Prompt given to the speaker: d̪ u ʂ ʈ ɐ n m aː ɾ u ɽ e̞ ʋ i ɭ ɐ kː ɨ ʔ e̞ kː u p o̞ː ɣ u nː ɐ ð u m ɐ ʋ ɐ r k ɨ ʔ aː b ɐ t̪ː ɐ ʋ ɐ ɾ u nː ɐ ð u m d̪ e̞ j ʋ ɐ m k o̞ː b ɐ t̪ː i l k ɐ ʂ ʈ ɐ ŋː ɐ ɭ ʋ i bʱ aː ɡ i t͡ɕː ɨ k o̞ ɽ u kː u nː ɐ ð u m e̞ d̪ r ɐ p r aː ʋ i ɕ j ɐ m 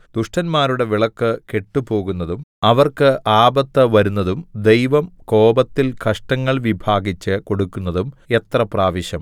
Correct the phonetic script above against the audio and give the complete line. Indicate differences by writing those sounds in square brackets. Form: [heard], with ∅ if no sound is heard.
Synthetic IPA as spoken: d̪ u ʂ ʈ ɐ n m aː ɾ u ɽ e̞ ʋ i ɭ ɐ kː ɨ [k] e̞ [ʈː] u p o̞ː ɣ u nː ɐ ð u m ɐ ʋ ɐ r k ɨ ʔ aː b ɐ t̪ː ɐ ʋ ɐ ɾ u nː ɐ ð u m d̪ e̞ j ʋ ɐ m k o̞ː b ɐ t̪ː i l k ɐ ʂ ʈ ɐ ŋː ɐ ɭ ʋ i bʱ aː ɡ i t͡ɕː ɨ k o̞ ɽ u kː u nː ɐ ð u m e̞ [t̪] r ɐ p r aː ʋ i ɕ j ɐ m